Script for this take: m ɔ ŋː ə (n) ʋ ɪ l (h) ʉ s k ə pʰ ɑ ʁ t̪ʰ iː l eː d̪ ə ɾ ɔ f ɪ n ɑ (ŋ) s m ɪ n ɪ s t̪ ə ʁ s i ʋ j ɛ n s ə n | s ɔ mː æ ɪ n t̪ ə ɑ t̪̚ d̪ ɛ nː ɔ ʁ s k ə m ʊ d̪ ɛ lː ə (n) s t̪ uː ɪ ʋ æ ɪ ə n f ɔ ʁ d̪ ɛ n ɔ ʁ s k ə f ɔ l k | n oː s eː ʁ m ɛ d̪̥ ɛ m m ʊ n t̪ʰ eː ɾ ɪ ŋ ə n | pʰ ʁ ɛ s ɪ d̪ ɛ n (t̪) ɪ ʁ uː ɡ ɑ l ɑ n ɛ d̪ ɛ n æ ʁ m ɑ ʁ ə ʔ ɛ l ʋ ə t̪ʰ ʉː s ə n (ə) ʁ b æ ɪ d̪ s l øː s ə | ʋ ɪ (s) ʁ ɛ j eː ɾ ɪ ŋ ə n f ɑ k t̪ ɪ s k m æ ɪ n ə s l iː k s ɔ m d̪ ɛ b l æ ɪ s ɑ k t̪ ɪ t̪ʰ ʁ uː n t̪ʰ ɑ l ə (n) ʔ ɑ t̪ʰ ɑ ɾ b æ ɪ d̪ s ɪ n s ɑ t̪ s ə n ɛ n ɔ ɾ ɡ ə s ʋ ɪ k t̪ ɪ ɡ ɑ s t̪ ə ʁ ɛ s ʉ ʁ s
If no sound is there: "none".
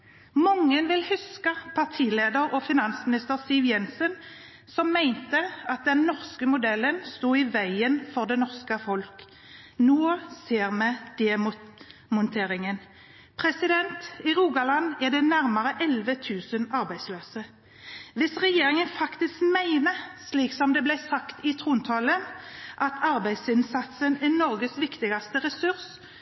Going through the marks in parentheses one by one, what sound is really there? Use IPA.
n, h, n, n, t̪, ɑ, s, n

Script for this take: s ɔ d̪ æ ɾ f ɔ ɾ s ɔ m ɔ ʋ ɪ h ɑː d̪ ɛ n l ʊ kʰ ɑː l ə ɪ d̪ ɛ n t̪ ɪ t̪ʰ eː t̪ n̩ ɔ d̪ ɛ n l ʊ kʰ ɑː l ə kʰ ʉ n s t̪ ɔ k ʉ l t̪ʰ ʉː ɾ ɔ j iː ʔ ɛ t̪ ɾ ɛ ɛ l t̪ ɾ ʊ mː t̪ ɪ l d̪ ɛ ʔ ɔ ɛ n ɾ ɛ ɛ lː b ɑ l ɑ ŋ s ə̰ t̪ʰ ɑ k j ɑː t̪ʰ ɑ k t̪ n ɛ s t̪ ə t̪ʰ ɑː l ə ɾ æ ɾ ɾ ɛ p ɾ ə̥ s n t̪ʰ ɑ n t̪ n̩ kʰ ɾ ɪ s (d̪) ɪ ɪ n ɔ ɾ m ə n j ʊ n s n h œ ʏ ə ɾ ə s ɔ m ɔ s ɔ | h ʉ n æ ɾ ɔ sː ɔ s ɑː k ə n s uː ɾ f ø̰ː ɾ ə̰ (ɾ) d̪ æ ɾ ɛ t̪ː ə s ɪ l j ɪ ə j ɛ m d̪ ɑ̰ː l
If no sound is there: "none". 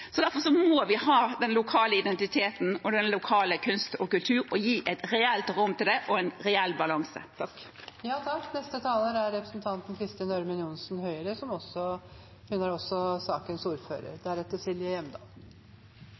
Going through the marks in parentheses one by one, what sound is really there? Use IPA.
t̪, ɾ

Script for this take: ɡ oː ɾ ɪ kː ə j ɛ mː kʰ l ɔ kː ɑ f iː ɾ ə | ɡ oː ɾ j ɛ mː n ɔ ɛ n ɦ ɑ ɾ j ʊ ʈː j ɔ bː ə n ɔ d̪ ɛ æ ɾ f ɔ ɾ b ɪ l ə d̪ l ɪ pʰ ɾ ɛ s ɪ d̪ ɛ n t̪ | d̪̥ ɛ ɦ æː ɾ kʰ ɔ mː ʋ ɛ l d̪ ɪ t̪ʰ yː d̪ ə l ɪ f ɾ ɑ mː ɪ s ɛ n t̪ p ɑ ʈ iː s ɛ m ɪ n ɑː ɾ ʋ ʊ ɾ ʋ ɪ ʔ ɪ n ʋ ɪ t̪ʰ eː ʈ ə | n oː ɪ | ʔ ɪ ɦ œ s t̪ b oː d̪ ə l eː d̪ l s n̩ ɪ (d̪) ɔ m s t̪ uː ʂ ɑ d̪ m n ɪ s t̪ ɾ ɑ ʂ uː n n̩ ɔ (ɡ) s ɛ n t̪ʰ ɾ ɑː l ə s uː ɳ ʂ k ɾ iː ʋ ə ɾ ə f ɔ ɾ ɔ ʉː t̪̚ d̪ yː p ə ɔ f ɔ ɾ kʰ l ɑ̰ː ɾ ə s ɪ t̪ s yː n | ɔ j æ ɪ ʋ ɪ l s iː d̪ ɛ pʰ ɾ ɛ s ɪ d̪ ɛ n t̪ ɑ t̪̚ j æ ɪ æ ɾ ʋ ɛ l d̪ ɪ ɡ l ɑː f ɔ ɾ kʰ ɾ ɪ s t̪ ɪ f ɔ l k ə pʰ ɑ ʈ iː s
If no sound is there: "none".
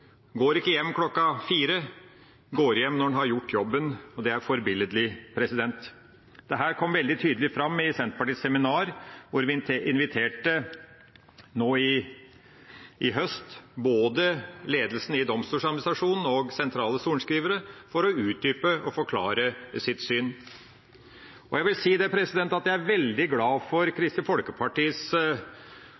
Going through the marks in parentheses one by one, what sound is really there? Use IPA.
d̪, ɡ

